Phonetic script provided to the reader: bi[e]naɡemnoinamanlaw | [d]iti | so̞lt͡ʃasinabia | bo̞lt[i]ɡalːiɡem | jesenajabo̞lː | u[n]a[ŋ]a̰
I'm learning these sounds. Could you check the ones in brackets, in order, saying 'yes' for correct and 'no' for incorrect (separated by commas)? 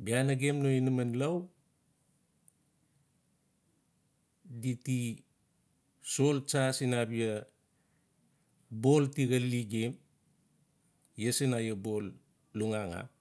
no, yes, yes, no, yes